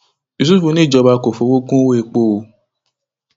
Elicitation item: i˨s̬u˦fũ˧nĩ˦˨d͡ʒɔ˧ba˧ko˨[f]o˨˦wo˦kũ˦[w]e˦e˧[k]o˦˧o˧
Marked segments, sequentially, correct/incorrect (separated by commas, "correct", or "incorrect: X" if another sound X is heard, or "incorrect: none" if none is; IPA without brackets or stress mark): correct, correct, incorrect: k͡p